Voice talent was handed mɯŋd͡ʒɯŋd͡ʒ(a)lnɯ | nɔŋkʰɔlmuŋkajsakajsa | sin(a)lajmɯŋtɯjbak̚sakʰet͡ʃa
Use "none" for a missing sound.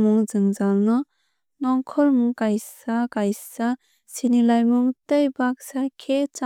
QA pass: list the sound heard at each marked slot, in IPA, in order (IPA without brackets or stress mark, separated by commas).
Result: a, i